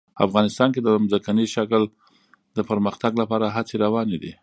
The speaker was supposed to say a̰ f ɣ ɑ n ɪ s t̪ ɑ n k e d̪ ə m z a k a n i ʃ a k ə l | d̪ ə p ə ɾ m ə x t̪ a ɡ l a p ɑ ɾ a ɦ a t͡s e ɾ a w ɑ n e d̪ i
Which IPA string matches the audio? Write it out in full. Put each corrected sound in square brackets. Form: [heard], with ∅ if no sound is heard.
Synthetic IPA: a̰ f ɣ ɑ n ɪ s t̪ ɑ n k e d̪ ə m z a k a n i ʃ a k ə l | d̪ ə p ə ɾ m ə x t̪ a ɡ l a p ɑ ɾ a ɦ a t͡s e ɾ a w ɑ n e d̪ i